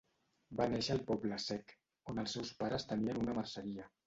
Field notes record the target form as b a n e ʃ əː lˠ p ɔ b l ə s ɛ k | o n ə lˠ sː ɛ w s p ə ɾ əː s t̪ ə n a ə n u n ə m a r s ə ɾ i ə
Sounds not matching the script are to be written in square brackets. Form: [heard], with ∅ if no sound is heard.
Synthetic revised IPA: b a n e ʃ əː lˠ p ɔ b l ə s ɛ k | o n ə lˠ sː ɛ w s p [a] ɾ [ə] s t̪ ə n [i] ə n u n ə m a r s ə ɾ i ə